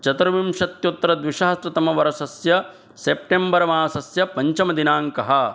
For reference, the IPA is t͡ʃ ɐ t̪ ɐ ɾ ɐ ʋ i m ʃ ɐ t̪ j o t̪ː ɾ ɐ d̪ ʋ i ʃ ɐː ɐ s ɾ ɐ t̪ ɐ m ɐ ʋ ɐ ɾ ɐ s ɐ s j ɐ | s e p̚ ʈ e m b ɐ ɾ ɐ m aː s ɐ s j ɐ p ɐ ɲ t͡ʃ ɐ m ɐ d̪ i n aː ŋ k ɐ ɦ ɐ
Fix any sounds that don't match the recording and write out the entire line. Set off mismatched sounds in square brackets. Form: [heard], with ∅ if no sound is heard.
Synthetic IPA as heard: t͡ʃ ɐ t̪ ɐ ɾ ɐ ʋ i m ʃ ɐ t̪ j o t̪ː ɾ ɐ d̪ ʋ i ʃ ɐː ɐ s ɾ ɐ t̪ ɐ m ɐ ʋ ɐ ɾ ɐ s ɐ s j ɐ | s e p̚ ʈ e m b ɐ ɾ ɐ m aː s ɐ s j ɐ p ɐ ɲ t͡ʃ ɐ m ɐ d̪ i n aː ŋ k ɐ ɦ ɐ